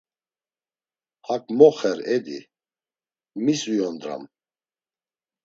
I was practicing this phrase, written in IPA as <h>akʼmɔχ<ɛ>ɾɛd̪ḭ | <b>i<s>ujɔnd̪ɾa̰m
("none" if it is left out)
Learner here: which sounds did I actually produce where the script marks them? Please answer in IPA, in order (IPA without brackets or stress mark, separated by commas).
h, ɛ, m, s